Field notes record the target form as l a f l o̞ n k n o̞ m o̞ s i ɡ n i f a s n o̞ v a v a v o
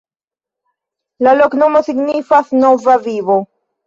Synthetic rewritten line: l a l o̞ k n o̞ m o̞ s i ɡ n i f a s n o̞ v a v i v o

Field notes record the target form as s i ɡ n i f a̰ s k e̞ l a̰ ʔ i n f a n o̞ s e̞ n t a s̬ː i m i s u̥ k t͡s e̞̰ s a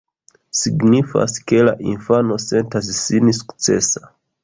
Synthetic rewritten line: s i ɡ n i f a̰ s k e̞ l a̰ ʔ i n f a n o̞ s e̞ n t a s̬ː i n i s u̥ k t͡s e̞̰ s a

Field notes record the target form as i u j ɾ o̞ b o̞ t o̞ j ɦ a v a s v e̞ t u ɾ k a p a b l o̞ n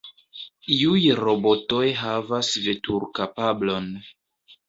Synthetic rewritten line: i u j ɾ o̞ b o̞ t o̞ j ɦ a v a s v e̞ t u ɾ k a p a b l o̞ n

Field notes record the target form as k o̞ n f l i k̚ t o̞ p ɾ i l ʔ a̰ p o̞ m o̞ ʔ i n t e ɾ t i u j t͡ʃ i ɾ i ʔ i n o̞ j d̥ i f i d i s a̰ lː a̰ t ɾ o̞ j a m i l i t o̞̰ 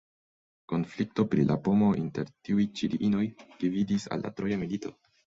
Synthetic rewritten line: k o̞ n f l i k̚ t o̞ p ɾ i l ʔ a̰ p o̞ m o̞ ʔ i n t e ɾ t i u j t͡ʃ i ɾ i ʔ i n o̞ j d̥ i v i d i s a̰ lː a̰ t ɾ o̞ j a m i l i t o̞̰

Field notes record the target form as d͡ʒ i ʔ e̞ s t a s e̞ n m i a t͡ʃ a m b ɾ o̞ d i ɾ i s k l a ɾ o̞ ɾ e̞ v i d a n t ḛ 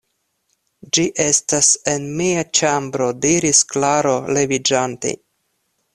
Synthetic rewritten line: d͡ʒ i ʔ e̞ s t a s e̞ n m i a t͡ʃ a m b ɾ o̞ d i ɾ i s k l a ɾ o̞ l e̞ v i d͡ʒ a n t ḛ

